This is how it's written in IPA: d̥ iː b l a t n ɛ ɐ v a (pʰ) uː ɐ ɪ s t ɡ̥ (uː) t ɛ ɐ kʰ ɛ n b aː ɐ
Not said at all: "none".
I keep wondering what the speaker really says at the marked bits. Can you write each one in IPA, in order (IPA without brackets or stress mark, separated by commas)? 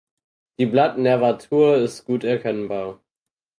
tʰ, uː